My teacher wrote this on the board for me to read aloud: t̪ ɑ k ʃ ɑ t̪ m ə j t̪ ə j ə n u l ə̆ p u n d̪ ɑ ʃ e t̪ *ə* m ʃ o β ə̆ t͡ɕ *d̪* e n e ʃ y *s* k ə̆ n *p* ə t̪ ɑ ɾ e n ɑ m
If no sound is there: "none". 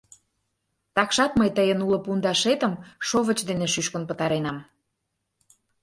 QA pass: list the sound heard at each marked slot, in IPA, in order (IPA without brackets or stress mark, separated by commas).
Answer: ə, d̪, ʃ, p